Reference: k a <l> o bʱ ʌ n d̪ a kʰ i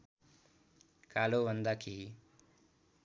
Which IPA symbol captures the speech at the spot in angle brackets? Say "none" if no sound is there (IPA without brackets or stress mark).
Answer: l